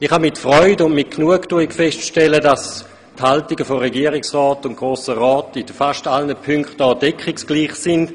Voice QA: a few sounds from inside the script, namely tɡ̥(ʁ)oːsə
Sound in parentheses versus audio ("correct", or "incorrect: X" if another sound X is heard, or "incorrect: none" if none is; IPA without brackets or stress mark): correct